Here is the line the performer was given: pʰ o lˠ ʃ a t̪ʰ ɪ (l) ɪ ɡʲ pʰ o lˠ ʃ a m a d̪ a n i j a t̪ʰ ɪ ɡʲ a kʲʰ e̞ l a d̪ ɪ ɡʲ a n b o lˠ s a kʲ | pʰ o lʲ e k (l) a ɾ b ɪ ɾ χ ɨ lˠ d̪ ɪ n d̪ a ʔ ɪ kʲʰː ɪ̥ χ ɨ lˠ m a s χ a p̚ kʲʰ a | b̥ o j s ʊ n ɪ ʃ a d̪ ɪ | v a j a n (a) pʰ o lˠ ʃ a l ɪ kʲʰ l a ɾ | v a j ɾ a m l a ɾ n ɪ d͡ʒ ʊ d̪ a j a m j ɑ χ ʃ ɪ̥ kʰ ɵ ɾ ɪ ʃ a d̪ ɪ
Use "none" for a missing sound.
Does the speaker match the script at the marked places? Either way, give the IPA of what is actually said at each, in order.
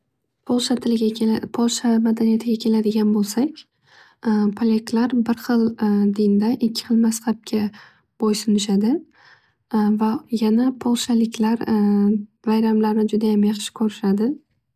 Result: l, l, a

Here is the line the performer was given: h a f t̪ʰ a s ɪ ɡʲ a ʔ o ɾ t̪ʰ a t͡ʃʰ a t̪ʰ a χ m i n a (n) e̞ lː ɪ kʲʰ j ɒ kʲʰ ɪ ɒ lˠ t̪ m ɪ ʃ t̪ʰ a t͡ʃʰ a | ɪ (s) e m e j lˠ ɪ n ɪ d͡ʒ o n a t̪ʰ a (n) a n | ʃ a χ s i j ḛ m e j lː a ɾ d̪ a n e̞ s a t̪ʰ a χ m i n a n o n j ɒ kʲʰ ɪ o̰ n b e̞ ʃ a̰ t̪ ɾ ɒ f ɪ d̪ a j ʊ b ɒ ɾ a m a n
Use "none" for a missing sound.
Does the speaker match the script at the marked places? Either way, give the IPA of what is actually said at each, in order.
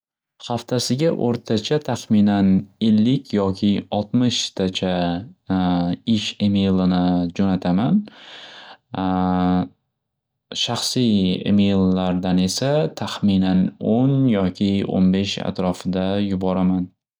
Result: n, ʃ, m

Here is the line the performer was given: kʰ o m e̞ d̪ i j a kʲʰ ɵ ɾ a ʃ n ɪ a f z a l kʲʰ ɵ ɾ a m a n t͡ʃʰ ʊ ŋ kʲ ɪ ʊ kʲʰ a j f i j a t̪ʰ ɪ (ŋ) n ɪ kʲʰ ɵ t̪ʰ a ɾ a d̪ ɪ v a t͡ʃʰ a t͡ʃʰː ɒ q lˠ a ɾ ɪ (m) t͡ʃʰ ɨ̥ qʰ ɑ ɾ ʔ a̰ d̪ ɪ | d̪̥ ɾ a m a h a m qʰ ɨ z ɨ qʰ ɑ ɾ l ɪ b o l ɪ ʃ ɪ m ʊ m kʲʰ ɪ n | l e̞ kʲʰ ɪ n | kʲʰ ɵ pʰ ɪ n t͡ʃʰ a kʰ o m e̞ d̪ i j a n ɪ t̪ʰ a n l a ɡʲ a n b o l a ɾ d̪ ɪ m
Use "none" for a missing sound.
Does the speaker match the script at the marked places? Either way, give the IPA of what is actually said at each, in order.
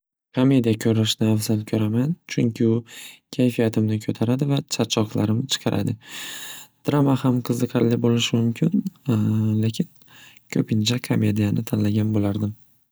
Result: m, m

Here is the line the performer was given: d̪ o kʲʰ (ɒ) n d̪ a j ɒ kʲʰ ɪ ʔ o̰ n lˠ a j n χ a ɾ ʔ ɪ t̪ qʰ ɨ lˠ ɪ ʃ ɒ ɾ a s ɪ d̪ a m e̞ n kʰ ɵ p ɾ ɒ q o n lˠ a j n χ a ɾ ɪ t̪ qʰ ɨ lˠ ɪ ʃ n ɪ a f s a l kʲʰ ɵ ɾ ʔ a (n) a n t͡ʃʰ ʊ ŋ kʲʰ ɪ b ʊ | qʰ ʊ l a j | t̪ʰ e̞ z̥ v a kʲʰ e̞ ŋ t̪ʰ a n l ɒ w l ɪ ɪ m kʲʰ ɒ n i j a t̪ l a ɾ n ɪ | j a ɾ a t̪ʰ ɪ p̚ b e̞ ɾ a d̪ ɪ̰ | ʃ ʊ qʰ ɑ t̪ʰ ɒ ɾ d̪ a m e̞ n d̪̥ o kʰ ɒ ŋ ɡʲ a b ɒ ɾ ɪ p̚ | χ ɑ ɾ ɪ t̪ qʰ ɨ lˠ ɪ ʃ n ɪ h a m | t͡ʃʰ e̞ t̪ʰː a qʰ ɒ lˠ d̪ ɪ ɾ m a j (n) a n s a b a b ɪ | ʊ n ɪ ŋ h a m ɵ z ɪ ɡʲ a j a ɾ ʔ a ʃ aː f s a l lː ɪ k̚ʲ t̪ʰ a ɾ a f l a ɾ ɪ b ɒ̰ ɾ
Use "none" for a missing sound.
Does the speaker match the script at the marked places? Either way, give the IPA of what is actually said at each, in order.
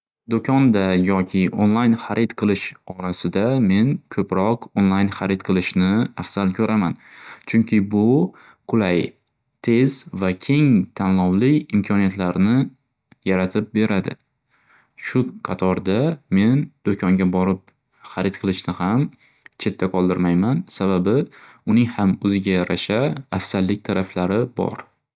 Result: ɒ, m, m

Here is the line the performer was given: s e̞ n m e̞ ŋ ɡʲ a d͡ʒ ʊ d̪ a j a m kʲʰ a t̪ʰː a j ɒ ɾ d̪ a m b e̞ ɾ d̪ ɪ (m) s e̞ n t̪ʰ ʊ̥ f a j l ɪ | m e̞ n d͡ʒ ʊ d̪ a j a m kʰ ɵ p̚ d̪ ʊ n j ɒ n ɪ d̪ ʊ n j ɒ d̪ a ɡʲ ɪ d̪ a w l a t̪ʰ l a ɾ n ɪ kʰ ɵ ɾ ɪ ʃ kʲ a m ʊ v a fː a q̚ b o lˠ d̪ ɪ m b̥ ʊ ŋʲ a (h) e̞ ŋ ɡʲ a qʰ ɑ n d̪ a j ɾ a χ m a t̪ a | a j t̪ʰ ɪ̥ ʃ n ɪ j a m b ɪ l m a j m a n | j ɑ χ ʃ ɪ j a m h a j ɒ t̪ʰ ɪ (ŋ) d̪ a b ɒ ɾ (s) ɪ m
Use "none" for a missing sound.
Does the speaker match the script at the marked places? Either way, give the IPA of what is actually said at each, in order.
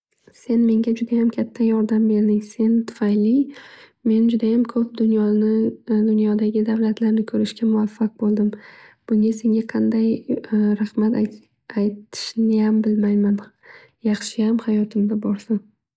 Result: ŋ, s, m, s

